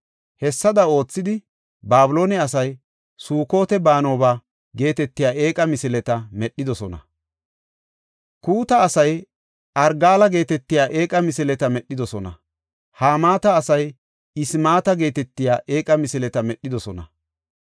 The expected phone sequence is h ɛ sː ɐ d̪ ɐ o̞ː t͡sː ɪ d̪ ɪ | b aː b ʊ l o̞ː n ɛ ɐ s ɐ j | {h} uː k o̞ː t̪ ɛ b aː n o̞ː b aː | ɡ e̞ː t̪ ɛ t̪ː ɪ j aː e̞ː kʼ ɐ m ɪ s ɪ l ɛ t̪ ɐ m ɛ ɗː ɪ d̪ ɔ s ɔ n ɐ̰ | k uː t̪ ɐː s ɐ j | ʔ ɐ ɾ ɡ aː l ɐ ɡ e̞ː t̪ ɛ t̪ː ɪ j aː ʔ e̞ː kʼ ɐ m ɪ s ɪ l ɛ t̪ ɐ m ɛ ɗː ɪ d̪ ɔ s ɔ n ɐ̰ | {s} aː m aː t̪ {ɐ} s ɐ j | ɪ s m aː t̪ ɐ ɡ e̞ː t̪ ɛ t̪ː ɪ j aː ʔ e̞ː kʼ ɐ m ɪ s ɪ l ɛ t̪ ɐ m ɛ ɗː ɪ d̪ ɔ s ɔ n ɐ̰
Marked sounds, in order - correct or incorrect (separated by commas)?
incorrect, incorrect, incorrect